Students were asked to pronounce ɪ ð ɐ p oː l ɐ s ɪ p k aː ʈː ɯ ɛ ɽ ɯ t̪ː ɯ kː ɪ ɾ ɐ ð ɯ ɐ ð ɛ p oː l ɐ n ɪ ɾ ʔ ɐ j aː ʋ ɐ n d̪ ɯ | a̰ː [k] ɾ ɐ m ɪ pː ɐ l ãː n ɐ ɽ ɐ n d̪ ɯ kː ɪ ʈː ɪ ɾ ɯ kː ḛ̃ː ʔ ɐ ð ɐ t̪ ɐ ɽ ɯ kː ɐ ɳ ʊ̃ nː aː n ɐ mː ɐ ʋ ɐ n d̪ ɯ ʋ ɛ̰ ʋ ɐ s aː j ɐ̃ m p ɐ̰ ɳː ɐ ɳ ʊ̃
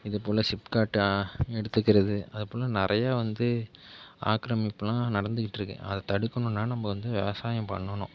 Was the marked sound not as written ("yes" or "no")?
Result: no